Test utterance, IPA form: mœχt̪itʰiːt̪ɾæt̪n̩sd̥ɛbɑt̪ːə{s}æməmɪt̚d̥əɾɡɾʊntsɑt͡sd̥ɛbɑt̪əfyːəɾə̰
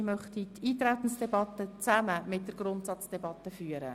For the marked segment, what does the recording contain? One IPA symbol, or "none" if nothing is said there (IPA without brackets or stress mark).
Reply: t͡s